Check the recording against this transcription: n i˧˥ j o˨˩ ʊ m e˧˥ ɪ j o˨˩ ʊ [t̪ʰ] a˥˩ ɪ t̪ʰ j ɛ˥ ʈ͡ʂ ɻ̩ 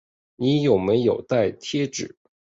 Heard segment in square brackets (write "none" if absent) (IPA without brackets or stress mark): t̪